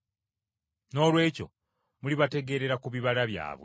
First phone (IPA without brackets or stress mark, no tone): n